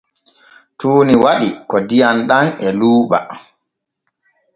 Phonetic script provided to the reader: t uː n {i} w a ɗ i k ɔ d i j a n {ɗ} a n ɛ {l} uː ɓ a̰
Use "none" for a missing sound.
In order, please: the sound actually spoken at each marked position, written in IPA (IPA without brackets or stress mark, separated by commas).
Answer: i, ɗ, l